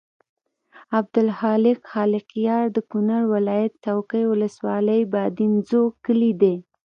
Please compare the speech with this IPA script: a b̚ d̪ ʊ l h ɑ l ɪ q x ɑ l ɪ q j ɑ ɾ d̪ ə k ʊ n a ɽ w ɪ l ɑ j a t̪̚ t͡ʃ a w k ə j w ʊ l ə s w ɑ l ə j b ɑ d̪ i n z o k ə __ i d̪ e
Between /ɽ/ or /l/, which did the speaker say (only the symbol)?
l